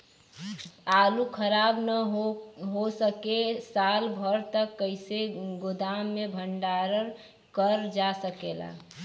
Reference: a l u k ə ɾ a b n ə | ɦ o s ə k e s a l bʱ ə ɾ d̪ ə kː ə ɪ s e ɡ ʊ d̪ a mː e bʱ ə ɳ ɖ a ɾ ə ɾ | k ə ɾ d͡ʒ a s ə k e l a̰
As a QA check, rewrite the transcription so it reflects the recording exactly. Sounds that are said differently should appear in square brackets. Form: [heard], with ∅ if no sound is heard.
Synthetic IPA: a l u [kʰ] ə ɾ a b n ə | ɦ o s ə k e s a l bʱ ə ɾ [t̪] ə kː ə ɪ s e ɡ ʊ d̪ a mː e bʱ ə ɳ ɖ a ɾ ə ɾ | k ə ɾ d͡ʒ a s ə k e l a̰